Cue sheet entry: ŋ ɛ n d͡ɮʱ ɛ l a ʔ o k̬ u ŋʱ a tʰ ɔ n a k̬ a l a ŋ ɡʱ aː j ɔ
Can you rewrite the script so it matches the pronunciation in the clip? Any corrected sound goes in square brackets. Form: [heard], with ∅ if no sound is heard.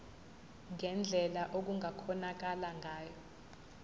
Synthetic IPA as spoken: ŋ ɛ n d͡ɮʱ ɛ l a ʔ o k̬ u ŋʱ a [kʰ] ɔ n a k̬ a l a ŋ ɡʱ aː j ɔ